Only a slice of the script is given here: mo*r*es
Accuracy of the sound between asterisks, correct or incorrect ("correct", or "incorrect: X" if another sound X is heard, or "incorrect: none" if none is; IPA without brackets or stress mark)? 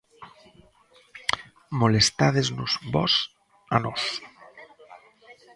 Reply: incorrect: l